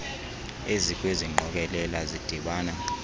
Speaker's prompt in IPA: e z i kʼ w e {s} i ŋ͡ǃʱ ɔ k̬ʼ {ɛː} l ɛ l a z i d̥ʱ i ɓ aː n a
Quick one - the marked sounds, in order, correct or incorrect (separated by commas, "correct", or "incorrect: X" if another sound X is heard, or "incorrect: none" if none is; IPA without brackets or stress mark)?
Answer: incorrect: z, incorrect: ɛ